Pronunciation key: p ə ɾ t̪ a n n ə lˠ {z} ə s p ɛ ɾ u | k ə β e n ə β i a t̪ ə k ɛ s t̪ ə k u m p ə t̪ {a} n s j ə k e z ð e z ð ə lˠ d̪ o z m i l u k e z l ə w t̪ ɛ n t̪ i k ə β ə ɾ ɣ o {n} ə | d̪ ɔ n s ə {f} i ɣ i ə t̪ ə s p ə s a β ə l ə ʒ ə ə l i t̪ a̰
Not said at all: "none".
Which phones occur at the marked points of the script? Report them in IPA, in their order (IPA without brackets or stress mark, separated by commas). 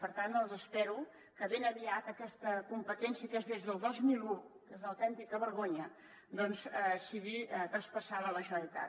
z, ɛ, ɲ, s